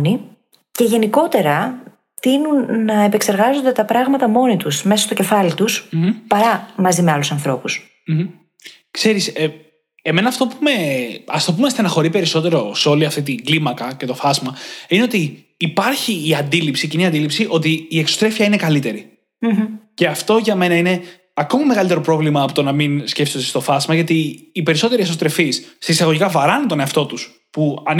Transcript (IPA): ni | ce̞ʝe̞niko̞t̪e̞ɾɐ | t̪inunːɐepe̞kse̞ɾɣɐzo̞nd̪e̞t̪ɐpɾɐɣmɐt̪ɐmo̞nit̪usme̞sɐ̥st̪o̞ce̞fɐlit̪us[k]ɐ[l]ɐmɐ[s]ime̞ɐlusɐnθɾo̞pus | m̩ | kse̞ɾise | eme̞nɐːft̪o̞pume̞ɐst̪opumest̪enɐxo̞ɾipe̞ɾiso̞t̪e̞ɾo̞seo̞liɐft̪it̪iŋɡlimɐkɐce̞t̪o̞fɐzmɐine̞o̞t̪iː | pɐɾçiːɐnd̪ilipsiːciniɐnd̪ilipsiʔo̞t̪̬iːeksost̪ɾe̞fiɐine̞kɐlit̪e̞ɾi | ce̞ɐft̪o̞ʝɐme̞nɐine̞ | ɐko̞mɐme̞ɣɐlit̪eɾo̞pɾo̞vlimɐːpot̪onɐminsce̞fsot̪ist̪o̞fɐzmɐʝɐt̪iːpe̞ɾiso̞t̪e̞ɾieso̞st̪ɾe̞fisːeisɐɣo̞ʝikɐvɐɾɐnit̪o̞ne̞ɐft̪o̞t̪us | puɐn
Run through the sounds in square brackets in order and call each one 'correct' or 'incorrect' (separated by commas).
incorrect, incorrect, incorrect